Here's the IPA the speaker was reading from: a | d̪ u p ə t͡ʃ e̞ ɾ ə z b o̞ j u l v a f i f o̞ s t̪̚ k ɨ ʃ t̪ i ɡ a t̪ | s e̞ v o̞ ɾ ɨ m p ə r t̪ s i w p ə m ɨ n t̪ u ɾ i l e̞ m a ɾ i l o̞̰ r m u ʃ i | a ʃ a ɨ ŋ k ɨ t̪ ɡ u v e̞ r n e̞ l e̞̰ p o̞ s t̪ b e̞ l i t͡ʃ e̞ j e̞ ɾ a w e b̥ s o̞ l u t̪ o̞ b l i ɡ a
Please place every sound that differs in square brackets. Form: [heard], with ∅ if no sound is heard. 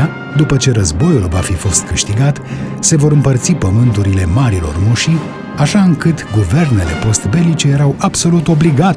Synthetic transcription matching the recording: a | d̪ u p ə t͡ʃ e̞ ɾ ə z b o̞ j u l v a f i f o̞ s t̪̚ k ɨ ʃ t̪ i ɡ a t̪ | s e̞ v o̞ ɾ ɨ m p ə r t̪ s i [∅] p ə m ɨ n t̪ u ɾ i l e̞ m a ɾ i l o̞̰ r m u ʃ i | a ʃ a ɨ ŋ k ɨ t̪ ɡ u v e̞ r n e̞ l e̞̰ p o̞ s t̪ b e̞ l i t͡ʃ e̞ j e̞ ɾ a w [a] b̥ s o̞ l u t̪ o̞ b l i ɡ a